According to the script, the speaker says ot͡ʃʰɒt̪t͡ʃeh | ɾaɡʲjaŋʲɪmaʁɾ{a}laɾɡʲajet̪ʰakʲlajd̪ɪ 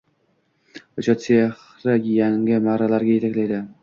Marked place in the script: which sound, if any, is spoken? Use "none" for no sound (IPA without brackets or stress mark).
a